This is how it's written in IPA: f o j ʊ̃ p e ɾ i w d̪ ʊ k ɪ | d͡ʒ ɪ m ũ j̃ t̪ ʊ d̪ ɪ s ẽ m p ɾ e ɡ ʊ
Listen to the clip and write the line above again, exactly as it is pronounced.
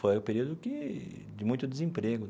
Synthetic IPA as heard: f o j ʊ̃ p e ɾ i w d̪ ʊ k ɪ | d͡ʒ ɪ m ũ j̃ t̪ ʊ d̪ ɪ z ẽ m p ɾ e ɡ ʊ